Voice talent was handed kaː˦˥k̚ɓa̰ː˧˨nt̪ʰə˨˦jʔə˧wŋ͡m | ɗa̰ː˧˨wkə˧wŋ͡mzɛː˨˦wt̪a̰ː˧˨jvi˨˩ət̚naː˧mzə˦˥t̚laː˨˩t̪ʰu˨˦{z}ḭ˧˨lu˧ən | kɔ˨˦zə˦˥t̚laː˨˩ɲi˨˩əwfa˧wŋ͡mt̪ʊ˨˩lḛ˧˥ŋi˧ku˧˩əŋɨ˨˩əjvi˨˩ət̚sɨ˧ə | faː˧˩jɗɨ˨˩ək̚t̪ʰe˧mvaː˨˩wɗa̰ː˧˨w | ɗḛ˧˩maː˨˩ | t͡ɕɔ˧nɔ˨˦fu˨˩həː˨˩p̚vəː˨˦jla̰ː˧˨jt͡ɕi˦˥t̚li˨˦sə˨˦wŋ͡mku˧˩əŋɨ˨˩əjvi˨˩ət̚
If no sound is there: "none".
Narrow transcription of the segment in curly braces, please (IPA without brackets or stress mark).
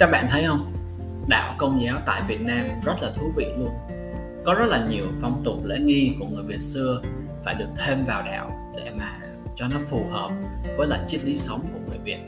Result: v